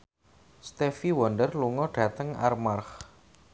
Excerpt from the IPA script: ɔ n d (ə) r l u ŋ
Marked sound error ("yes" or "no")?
no